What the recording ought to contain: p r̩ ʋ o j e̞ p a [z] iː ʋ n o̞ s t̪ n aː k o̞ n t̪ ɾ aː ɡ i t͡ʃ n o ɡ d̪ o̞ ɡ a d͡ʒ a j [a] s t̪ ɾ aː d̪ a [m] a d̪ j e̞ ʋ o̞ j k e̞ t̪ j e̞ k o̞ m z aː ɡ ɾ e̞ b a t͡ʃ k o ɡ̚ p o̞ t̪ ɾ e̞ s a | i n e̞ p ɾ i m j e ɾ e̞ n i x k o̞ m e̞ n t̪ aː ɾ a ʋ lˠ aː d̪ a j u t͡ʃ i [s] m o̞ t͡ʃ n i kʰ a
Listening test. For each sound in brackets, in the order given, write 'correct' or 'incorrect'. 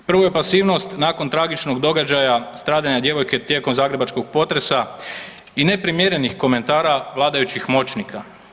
incorrect: s, correct, incorrect: ɲ, incorrect: x

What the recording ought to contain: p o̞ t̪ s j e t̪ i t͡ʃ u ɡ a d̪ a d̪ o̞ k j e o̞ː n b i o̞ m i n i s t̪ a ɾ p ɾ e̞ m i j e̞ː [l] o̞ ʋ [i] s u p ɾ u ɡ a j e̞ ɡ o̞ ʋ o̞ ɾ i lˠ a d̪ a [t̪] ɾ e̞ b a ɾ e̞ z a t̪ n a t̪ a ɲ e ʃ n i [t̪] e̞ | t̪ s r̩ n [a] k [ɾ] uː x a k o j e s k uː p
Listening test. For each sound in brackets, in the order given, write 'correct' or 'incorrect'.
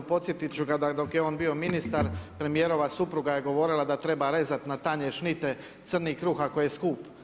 incorrect: ɾ, incorrect: a, correct, correct, incorrect: i, correct

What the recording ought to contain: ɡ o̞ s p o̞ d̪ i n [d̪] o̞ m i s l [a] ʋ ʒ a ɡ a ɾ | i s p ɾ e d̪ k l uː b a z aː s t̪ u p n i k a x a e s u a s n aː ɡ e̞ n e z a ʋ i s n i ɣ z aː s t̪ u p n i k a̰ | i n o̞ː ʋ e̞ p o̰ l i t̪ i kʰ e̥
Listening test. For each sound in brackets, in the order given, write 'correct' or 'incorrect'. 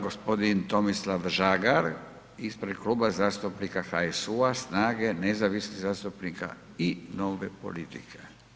incorrect: t̪, correct

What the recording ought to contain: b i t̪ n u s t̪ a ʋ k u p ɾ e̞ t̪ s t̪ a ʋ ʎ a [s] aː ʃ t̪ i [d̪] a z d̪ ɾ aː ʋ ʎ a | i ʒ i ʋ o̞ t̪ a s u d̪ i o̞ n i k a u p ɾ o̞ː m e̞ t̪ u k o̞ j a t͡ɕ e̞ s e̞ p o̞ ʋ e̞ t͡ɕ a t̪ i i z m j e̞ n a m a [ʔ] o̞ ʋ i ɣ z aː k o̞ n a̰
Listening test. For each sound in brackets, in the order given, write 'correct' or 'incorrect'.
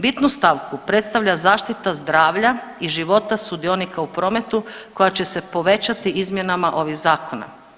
incorrect: z, incorrect: t̪, correct

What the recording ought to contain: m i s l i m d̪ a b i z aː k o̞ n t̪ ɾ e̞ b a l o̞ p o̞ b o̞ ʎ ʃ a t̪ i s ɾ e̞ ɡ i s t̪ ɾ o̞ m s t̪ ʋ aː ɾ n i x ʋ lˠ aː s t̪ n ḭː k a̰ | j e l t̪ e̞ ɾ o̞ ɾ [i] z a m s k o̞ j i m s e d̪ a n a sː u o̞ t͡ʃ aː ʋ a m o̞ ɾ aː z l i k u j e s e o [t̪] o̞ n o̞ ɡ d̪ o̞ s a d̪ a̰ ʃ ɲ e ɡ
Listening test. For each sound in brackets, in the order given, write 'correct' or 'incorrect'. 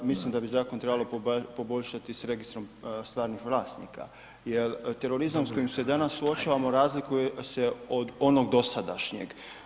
correct, incorrect: d̪

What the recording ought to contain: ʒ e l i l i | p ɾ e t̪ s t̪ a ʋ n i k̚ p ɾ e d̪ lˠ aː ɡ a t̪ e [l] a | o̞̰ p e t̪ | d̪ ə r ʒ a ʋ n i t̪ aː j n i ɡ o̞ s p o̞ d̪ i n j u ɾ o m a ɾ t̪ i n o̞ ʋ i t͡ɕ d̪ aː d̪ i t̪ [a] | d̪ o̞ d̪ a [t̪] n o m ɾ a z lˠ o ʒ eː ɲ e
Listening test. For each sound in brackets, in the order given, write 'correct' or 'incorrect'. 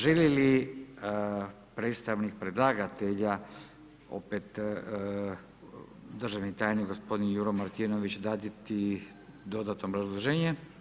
incorrect: ʎ, incorrect: i, correct

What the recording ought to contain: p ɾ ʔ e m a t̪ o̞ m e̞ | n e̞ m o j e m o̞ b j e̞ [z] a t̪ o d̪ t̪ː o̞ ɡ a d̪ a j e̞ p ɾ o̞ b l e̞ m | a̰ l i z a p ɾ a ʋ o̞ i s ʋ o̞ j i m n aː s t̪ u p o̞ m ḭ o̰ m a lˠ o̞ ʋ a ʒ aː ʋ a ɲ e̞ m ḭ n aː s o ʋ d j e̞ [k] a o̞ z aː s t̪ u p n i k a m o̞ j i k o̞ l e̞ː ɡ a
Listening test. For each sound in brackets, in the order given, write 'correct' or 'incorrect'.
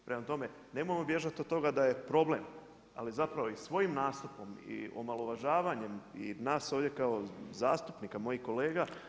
incorrect: ʒ, correct

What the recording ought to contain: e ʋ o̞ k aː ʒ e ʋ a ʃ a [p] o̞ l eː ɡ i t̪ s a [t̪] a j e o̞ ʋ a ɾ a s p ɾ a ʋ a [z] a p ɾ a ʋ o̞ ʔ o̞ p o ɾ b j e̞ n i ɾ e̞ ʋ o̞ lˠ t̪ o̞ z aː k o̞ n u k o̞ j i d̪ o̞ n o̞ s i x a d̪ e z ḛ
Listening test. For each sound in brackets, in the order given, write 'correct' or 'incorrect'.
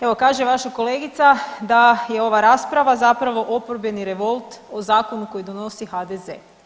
incorrect: k, incorrect: d̪, correct

